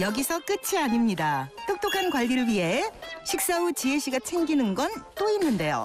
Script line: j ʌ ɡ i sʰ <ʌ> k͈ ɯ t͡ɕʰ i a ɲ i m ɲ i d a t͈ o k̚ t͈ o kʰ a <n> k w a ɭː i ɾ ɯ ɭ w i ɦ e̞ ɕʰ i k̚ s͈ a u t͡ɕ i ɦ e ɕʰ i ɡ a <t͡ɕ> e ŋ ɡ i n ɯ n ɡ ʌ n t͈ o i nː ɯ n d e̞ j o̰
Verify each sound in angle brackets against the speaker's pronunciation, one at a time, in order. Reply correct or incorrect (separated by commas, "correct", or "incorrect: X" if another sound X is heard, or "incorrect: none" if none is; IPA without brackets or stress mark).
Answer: correct, correct, incorrect: t͡ɕʰ